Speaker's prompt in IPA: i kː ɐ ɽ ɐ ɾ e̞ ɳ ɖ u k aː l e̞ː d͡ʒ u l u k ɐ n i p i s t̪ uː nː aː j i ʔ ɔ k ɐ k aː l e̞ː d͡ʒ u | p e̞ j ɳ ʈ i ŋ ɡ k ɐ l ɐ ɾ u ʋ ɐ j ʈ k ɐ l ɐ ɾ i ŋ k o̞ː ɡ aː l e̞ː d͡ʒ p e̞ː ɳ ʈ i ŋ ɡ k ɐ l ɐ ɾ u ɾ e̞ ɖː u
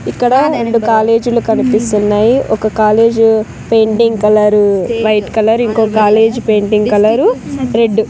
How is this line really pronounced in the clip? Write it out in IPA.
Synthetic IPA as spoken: i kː ɐ ɽ ɐ ɾ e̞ ɳ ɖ u k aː l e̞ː d͡ʒ u l u k ɐ n i p i s t̪ u nː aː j i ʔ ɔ k ɐ k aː l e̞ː d͡ʒ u | p e̞ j ɳ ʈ i ŋ ɡ k ɐ l ɐ ɾ u ʋ ɐ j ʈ k ɐ l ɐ ɾ i ŋ k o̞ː k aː l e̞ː d͡ʒ p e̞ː ɳ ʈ i ŋ ɡ k ɐ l ɐ ɾ u ɾ e̞ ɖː u